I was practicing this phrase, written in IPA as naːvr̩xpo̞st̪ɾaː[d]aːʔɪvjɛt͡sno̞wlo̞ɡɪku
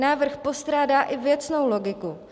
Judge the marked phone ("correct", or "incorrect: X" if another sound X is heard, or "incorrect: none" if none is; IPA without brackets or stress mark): correct